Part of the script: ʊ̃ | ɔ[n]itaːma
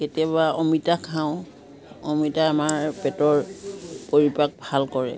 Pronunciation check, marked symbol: incorrect: m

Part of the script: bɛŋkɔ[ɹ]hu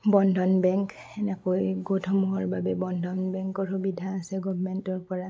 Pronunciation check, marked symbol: correct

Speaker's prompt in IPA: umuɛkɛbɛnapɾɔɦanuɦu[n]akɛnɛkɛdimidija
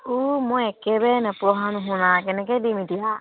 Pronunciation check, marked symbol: correct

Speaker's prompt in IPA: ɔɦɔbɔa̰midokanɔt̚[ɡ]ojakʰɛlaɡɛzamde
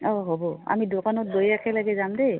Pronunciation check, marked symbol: incorrect: b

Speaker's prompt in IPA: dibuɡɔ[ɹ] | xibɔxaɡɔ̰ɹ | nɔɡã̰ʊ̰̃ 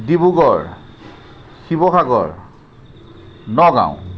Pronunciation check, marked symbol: correct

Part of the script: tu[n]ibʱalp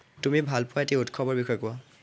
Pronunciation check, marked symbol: incorrect: m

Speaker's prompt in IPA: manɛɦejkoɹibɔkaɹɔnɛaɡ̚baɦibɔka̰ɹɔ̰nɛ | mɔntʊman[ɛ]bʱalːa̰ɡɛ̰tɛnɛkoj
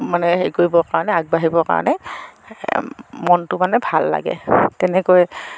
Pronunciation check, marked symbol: correct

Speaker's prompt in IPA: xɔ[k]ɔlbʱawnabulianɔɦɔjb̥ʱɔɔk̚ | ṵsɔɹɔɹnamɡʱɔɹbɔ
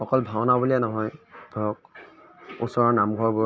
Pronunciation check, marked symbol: correct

